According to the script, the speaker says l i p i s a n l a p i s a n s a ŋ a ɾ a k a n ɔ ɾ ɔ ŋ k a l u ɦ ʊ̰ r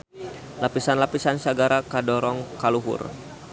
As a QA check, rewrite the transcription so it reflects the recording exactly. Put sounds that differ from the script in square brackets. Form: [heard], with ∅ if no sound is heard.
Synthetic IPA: l [a] p i s a n l a p i s a n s a [ɡ] a ɾ a k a [d] ɔ ɾ ɔ ŋ k a l u ɦ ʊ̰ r